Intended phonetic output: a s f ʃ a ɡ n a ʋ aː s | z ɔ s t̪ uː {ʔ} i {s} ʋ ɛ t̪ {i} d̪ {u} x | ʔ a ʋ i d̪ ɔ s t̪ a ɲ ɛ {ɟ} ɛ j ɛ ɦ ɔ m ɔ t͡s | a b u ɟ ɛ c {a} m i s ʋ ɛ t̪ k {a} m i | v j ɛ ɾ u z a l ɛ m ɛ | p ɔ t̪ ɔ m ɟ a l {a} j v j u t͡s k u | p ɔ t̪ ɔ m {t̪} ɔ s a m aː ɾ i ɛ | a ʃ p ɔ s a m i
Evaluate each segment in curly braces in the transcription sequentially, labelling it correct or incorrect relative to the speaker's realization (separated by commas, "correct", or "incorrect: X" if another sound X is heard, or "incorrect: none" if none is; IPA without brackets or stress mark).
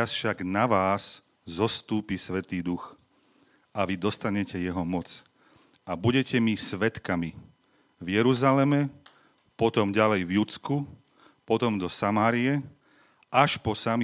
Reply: incorrect: p, correct, incorrect: iː, correct, incorrect: c, incorrect: ɛ, correct, incorrect: ɛ, incorrect: d̪